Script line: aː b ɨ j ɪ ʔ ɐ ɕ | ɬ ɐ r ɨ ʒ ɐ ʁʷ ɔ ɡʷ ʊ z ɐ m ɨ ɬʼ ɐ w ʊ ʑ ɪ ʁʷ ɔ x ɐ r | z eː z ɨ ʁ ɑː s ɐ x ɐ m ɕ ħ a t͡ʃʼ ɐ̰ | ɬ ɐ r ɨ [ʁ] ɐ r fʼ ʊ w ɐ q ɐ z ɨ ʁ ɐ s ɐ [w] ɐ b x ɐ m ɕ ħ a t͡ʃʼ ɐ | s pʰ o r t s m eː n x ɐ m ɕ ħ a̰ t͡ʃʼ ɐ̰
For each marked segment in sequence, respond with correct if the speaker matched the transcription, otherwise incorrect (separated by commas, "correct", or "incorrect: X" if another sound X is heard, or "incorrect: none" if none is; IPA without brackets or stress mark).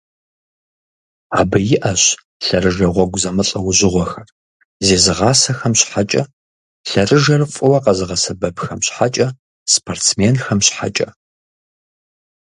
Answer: incorrect: ʒ, incorrect: b